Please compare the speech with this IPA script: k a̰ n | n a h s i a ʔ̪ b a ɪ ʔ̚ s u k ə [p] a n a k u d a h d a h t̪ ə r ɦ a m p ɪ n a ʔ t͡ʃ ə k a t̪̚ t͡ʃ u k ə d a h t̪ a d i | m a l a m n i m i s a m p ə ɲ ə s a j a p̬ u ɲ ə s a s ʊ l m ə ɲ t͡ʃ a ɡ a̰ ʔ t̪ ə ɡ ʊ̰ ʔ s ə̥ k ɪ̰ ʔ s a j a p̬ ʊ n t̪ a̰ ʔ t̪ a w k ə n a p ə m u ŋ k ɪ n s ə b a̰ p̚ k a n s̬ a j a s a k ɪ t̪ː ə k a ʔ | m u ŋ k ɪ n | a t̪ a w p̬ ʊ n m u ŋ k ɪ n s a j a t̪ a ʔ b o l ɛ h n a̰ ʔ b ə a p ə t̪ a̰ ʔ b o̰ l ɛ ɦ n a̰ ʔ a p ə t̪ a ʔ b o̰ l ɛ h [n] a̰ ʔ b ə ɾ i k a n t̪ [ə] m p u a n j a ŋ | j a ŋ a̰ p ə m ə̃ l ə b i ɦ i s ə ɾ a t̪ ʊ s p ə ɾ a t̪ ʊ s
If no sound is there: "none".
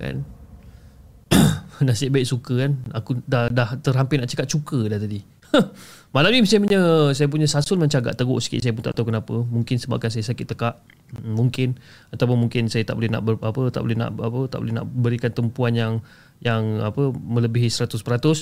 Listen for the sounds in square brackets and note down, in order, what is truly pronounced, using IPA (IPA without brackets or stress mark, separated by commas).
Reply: k, n, ə